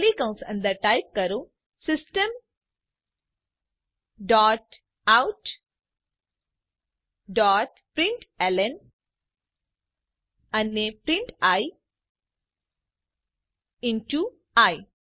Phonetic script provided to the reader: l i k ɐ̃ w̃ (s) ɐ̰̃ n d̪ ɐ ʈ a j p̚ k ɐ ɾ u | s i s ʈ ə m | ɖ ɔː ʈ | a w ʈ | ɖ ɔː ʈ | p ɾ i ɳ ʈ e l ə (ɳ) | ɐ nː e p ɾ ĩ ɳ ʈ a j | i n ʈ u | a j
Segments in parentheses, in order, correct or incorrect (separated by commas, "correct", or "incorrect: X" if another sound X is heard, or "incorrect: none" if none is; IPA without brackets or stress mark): correct, incorrect: n